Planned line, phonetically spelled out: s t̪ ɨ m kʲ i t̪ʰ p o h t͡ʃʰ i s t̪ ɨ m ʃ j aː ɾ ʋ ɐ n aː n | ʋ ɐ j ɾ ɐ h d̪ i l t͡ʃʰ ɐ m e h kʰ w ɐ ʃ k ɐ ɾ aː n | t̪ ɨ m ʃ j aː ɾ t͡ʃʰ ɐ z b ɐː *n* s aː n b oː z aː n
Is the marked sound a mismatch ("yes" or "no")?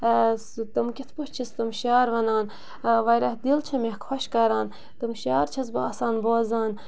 yes